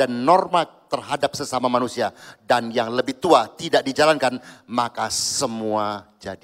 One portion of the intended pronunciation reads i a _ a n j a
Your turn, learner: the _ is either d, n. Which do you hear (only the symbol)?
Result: d